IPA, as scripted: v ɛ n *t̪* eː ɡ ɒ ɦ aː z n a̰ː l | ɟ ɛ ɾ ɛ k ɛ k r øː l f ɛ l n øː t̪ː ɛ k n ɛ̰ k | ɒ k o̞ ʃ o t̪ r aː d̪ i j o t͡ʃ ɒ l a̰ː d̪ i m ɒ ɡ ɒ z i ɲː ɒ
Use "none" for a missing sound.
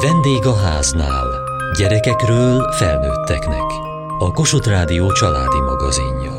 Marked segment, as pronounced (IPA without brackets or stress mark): d̪